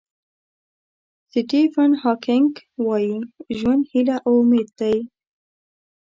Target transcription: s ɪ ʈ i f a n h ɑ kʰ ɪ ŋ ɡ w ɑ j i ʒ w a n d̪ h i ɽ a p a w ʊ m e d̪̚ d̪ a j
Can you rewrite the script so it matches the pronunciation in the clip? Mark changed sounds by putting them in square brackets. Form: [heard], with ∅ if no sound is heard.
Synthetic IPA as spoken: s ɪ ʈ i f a n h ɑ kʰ ɪ ŋ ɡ w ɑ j i ʒ w a n d̪ h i [l] a [ʔ] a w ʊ m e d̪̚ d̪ a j